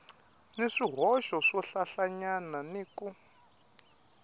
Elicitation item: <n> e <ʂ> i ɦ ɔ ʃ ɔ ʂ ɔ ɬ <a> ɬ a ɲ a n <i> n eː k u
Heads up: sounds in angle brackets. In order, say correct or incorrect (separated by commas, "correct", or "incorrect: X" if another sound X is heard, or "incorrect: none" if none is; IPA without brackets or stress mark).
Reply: correct, correct, correct, incorrect: a